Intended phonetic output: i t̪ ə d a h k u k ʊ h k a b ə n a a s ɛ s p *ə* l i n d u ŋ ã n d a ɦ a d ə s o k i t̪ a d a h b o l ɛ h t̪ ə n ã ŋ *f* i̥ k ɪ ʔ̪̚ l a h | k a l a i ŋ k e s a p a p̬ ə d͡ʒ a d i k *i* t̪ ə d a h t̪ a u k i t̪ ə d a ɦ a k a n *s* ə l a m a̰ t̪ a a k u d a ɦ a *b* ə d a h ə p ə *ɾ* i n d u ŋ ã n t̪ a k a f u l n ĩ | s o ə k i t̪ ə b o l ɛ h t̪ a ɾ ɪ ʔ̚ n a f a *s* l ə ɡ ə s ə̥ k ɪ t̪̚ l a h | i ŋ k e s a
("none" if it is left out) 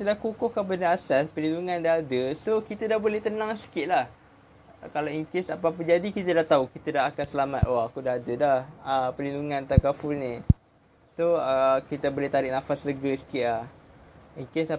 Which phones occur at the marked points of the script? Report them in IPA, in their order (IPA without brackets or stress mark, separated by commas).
ə, s, i, s, d, l, s